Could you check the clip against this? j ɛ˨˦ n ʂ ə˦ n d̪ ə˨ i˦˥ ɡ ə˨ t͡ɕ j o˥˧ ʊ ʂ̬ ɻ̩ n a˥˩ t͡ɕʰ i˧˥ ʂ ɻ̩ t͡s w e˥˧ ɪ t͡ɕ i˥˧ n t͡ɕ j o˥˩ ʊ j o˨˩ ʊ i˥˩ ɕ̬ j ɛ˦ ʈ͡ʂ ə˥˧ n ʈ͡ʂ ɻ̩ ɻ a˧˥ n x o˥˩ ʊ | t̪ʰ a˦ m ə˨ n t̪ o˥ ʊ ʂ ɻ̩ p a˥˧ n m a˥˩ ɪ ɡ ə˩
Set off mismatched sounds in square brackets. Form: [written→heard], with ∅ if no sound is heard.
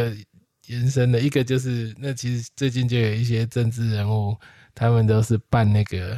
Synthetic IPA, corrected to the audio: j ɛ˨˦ n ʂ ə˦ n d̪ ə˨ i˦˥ ɡ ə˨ t͡ɕ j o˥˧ ʊ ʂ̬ ɻ̩ n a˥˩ t͡ɕʰ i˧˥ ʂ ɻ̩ t͡s w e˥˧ ɪ t͡ɕ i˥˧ n t͡ɕ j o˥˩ ʊ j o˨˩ ʊ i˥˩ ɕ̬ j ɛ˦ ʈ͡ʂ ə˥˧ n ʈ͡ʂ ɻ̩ ɻ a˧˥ n x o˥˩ ʊ | t̪ʰ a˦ m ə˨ n t̪ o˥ ʊ ʂ ɻ̩ p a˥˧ n [m→n] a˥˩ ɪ ɡ ə˩